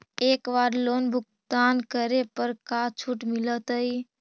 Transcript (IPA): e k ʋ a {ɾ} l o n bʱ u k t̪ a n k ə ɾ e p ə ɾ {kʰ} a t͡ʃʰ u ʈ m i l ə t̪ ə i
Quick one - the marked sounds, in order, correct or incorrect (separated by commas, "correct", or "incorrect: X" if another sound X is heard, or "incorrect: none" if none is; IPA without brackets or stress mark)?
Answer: correct, incorrect: k